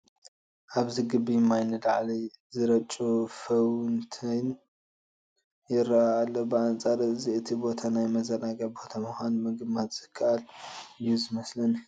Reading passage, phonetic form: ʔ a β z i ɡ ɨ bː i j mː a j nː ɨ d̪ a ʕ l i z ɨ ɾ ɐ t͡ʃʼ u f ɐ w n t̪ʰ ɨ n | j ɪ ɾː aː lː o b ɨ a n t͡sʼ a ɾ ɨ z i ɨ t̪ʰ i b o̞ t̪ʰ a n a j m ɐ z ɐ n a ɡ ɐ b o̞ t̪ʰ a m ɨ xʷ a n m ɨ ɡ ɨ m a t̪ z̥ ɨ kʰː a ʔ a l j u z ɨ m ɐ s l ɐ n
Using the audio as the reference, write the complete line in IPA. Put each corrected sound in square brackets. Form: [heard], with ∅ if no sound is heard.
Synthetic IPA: ʔ a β z i ɡ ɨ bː i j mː a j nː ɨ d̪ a ʕ l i z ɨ ɾ ɐ t͡ʃʼ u f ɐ w n t̪ʰ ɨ n | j ɪ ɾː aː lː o b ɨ a n t͡sʼ a ɾ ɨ z i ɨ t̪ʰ i b o̞ t̪ʰ a n a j m ɐ z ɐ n a ɡ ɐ b o̞ t̪ʰ a m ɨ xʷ a n m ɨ ɡ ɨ m a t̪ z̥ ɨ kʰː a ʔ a l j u z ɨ m ɐ s l ɐ n